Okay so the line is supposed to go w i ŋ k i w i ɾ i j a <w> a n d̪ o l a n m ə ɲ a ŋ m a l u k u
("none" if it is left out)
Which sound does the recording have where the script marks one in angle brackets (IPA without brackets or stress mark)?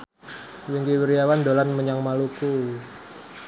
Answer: w